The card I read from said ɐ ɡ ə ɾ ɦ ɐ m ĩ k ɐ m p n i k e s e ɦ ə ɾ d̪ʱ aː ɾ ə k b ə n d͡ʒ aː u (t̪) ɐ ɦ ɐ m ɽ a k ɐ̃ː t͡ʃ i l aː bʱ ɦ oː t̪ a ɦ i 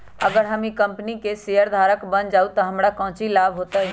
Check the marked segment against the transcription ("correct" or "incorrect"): correct